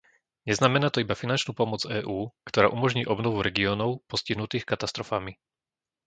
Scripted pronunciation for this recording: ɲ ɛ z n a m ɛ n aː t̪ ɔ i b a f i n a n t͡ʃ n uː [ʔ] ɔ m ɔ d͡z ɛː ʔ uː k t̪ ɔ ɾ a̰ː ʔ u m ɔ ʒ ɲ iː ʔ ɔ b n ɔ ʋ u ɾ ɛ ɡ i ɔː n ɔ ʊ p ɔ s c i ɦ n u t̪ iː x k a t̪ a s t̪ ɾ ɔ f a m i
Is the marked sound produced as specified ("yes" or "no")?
no